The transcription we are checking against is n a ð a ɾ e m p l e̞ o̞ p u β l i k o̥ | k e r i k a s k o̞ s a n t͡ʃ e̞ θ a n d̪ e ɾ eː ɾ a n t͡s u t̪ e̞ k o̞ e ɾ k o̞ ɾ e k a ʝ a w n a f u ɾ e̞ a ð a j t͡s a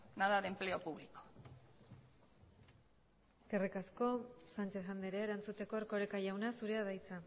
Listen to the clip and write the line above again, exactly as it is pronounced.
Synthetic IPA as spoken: n a ð a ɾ e m p l e̞ o̞ p u β l i k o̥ | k e r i k a s k o̞ s a n t͡ʃ e̞ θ a n d̪ e ɾ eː ɾ a n t͡s u t̪ e̞ k o̞ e ɾ k o̞ ɾ e k a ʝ a w n a s u ɾ e̞ a ð a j t͡s a